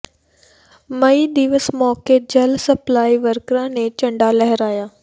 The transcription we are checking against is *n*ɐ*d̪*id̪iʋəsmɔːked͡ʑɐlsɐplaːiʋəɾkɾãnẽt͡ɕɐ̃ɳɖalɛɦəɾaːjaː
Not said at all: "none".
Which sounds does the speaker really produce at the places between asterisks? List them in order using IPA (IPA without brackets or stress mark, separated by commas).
m, none